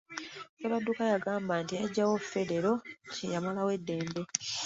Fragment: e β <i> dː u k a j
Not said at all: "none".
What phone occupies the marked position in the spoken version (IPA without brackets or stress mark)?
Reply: a